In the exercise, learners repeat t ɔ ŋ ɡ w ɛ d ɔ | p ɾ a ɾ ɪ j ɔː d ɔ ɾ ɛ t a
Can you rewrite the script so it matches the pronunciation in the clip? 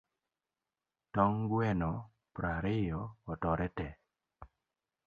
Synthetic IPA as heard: t ɔ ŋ ɡ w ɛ n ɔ | p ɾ a ɾ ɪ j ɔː t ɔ ɾ ɛ t ɛ